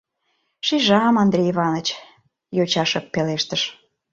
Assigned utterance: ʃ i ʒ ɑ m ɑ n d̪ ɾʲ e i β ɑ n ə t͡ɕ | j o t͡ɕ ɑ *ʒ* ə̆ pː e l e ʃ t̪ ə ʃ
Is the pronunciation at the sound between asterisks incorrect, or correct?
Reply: incorrect